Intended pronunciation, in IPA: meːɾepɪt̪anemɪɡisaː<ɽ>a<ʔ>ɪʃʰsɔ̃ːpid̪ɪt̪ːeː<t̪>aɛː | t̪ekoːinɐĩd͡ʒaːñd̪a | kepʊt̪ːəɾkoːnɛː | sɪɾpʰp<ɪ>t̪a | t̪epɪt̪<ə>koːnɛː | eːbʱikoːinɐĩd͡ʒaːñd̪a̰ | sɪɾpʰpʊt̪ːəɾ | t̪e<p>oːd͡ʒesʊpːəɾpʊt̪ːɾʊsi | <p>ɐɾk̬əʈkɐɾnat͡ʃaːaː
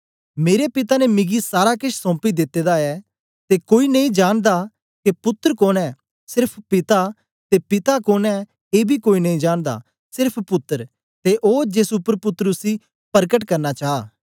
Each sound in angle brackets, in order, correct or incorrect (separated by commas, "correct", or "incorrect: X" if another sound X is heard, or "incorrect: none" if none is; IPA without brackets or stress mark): incorrect: ɾ, incorrect: k, incorrect: d̪, correct, incorrect: a, incorrect: ʔ, correct